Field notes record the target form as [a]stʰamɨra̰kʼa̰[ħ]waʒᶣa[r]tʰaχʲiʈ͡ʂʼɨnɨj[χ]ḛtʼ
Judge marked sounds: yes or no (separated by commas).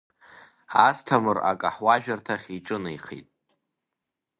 yes, yes, yes, yes